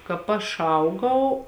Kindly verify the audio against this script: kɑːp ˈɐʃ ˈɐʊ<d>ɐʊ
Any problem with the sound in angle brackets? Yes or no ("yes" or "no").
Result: yes